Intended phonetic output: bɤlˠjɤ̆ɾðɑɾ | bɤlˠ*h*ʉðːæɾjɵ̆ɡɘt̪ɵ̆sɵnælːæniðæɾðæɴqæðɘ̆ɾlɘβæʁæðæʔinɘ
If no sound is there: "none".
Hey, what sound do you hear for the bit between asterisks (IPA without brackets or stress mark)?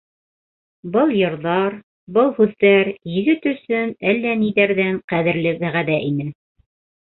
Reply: h